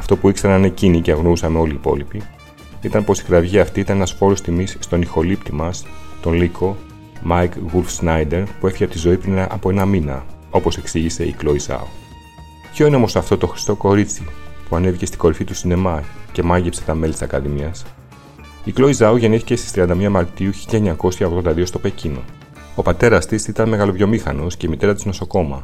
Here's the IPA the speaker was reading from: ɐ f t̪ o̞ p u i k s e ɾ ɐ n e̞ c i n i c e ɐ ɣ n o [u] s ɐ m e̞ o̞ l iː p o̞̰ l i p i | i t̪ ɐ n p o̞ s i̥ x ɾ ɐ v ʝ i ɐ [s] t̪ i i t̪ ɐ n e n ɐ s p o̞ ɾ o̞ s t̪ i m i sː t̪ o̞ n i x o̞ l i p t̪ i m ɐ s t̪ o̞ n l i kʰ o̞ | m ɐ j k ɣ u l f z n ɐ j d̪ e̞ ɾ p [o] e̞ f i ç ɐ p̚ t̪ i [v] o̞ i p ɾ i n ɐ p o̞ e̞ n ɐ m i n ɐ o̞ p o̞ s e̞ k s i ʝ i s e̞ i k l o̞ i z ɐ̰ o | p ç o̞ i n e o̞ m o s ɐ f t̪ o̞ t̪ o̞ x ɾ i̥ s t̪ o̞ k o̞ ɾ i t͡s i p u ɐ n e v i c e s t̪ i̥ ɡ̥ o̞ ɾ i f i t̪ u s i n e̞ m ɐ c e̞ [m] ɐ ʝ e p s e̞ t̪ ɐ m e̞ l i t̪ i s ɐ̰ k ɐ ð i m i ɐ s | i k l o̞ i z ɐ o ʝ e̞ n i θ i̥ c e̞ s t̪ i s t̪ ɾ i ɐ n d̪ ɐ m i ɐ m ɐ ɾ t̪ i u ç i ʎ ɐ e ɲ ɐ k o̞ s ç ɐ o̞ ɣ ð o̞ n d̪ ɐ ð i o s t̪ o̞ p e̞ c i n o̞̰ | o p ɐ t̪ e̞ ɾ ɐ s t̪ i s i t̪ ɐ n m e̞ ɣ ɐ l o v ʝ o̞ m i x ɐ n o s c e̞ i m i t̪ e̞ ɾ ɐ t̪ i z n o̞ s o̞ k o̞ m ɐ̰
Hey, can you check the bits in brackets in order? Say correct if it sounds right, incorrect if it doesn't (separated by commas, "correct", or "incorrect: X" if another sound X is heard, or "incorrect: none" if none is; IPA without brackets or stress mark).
correct, incorrect: f, incorrect: u, incorrect: z, correct